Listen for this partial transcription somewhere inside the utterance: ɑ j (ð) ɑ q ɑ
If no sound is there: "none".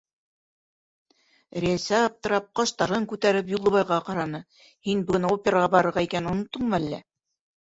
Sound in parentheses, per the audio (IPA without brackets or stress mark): ʁ